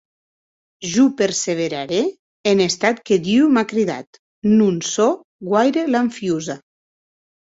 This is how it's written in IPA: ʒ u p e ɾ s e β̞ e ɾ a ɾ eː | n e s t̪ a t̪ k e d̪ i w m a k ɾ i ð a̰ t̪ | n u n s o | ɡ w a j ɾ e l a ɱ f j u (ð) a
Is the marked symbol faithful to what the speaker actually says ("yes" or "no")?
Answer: no